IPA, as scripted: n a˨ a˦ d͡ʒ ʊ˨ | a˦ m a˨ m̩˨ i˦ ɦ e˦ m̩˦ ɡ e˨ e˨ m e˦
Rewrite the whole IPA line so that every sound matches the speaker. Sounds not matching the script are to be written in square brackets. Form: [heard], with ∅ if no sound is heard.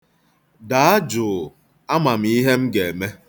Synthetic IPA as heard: [d] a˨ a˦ d͡ʒ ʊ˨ | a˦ m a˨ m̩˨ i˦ ɦ e˦ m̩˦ ɡ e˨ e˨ m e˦